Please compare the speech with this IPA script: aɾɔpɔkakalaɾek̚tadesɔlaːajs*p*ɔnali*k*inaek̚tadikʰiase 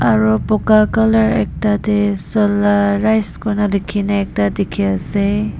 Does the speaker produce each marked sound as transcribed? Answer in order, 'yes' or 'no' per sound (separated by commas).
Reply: no, no